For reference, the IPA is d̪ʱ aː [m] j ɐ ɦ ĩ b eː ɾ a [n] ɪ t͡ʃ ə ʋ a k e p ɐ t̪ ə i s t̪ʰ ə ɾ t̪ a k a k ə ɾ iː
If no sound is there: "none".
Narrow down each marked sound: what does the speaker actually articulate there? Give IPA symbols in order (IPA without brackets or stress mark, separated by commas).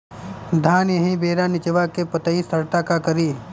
n, n